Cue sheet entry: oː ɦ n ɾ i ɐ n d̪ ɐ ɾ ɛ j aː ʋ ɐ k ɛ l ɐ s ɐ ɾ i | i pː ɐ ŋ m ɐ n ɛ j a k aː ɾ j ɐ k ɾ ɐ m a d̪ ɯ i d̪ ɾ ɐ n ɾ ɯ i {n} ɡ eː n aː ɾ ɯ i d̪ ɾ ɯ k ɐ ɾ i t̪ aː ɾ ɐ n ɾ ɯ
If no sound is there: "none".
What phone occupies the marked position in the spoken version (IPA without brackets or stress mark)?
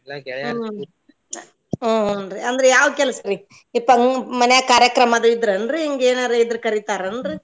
ŋ